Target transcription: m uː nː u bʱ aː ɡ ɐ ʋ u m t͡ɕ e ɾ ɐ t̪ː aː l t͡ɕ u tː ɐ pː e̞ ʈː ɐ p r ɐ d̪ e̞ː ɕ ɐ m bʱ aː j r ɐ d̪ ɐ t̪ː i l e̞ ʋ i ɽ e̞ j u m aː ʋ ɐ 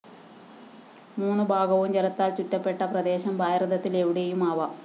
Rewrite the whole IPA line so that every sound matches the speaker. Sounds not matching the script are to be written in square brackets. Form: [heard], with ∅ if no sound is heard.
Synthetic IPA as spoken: m uː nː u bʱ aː ɡ ɐ ʋ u m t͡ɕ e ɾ ɐ t̪ː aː l t͡ɕ u tː ɐ pː e̞ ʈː ɐ p r ɐ d̪ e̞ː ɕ ɐ m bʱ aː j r ɐ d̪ ɐ t̪ː i l e̞ ʋ i ɽ e̞ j u m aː ʋ ɐ